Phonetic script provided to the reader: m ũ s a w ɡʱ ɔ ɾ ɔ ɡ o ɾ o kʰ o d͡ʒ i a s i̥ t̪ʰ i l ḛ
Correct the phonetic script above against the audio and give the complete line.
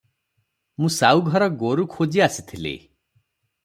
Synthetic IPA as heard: m ũ s a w ɡʱ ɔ ɾ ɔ ɡ o ɾ u kʰ o d͡ʒ i a s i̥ t̪ʰ i l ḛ